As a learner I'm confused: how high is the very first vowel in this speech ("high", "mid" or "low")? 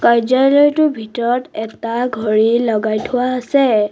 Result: low